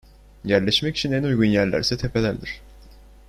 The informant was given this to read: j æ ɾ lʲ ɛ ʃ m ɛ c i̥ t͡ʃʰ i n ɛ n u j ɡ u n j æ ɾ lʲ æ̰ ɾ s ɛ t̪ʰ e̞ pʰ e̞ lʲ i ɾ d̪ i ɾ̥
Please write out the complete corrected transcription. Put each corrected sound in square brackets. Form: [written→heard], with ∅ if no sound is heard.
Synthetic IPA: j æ ɾ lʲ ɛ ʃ m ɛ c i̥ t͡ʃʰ i n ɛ n u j ɡ u n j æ ɾ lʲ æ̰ ɾ s ɛ t̪ʰ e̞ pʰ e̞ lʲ [i→æ] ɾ d̪ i ɾ̥

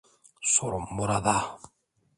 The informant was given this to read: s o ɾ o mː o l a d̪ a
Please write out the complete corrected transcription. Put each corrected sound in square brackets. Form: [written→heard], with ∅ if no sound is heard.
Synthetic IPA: s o ɾ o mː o [l→ɾ] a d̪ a

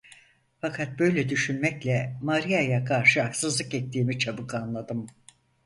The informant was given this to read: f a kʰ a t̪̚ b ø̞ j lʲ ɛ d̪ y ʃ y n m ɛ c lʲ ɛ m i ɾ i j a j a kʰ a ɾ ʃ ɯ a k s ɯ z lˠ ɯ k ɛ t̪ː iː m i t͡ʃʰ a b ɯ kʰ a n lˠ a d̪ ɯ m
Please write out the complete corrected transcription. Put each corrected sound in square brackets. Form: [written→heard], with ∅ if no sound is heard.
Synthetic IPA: f a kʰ a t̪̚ b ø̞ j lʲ ɛ d̪ y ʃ y n m ɛ c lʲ ɛ m [i→a] ɾ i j a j a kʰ a ɾ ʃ ɯ a k s ɯ z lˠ ɯ k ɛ t̪ː iː m i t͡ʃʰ a b ɯ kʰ a n lˠ a d̪ ɯ m

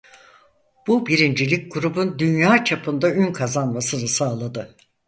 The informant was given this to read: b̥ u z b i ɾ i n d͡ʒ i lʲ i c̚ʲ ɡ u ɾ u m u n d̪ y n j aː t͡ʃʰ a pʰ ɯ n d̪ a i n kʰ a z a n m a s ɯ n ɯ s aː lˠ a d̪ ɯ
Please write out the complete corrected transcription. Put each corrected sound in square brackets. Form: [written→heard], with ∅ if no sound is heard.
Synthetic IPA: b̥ u [z→∅] b i ɾ i n d͡ʒ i lʲ i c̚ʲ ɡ u ɾ u [m→b] u n d̪ y n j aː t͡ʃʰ a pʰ ɯ n d̪ a [i→y] n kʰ a z a n m a s ɯ n ɯ s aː lˠ a d̪ ɯ

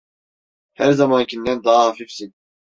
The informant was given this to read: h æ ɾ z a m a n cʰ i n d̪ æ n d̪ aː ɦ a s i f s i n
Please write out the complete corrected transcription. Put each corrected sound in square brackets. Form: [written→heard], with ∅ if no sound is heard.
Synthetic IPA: h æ ɾ z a m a n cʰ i n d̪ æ n d̪ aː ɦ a [s→f] i f s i n

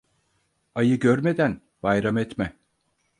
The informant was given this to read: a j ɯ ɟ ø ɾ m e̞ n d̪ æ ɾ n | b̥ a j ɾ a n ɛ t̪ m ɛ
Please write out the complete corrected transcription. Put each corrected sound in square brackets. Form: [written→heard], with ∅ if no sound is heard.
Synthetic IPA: a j ɯ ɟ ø ɾ m e̞ [n→∅] d̪ æ [ɾ→∅] n | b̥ a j ɾ a [n→m] ɛ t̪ m ɛ

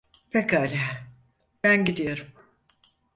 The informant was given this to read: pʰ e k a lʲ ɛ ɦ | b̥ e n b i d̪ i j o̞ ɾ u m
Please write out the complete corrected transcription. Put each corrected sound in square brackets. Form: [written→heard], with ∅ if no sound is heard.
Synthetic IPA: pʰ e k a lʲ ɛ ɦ | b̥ [e→æ] n [b→ɟ] i d̪ i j o̞ ɾ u m

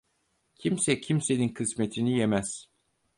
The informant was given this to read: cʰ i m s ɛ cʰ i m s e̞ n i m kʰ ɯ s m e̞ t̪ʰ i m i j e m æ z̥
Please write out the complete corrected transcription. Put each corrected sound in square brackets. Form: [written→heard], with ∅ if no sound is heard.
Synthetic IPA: cʰ i m s ɛ cʰ i m s e̞ n i [m→n] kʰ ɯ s m e̞ t̪ʰ i [m→n] i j e m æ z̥

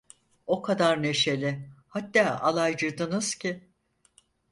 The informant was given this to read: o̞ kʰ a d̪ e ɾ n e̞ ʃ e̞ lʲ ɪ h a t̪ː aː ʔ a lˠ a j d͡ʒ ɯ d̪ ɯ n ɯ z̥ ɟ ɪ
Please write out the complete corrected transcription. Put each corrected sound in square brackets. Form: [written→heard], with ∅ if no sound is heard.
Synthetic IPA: o̞ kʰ a d̪ [e→a] ɾ n e̞ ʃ e̞ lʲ ɪ h a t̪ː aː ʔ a lˠ a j d͡ʒ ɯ d̪ ɯ n ɯ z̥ [ɟ→c] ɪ

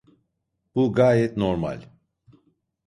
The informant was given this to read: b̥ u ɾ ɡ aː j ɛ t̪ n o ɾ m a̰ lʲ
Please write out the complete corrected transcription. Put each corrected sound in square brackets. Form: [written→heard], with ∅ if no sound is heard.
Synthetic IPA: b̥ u [ɾ→∅] ɡ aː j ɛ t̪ n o ɾ m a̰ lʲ

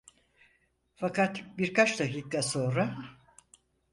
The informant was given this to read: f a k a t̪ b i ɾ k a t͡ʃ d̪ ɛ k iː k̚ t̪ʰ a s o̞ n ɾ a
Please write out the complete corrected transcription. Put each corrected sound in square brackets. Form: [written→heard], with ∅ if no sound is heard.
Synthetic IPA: f a k a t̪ b i ɾ k a t͡ʃ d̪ [ɛ→a] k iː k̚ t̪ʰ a s o̞ n ɾ a

